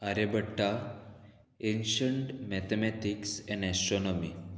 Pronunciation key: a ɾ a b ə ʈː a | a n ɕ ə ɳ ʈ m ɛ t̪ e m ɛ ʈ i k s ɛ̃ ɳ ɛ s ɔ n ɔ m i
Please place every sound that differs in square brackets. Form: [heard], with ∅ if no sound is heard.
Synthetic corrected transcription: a ɾ [e] b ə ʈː a | [e] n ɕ ə ɳ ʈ m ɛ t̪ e m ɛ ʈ i k s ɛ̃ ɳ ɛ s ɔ n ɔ m i